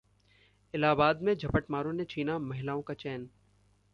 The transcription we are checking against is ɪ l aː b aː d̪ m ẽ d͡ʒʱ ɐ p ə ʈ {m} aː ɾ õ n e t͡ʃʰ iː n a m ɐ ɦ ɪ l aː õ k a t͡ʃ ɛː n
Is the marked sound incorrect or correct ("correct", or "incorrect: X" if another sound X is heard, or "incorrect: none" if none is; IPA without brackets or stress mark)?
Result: correct